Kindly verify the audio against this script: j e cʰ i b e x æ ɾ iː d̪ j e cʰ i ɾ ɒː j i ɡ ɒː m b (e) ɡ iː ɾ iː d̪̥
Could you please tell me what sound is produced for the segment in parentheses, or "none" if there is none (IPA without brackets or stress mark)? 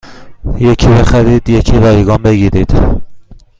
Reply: e